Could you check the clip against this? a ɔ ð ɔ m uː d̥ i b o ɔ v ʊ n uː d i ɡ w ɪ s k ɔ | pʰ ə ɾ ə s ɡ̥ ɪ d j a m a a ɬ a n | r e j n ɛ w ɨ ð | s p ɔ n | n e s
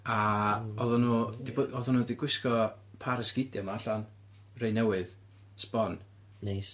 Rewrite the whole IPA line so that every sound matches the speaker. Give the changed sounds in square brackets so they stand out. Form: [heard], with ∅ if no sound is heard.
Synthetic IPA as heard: a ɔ ð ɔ [n] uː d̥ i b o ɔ [ð] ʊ n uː d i ɡ w ɪ s k ɔ | pʰ [a] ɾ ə s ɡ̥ ɪ d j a m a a ɬ a n | r e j n ɛ w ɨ ð | s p ɔ n | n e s